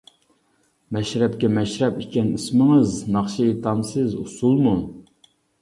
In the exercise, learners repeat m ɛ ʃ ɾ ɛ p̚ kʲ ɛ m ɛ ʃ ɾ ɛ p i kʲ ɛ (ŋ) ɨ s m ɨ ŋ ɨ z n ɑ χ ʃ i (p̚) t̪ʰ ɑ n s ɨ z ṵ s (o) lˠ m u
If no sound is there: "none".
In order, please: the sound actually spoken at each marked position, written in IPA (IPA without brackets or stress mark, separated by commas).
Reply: n, none, u